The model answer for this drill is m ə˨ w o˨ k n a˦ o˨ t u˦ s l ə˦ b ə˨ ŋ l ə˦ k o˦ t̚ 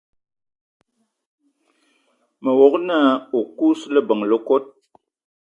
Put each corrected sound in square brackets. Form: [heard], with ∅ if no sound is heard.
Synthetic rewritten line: m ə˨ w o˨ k n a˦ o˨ [k] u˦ s l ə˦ b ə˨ ŋ l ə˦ k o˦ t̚